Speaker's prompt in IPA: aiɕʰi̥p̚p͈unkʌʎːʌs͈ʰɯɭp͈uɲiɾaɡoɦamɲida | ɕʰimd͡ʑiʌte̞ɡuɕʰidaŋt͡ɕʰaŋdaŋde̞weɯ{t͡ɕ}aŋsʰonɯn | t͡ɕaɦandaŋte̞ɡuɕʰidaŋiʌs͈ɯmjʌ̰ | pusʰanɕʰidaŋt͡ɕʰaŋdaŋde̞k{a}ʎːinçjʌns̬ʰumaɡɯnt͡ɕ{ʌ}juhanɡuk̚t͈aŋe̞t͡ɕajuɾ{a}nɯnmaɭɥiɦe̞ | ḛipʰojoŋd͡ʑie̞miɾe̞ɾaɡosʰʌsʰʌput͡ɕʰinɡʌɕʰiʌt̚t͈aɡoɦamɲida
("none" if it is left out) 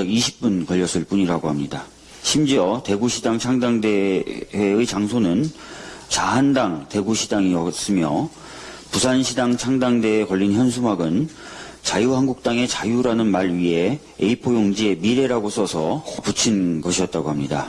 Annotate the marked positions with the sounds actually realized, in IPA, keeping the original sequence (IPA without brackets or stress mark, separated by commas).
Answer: t͡ɕ, ʌ, a, a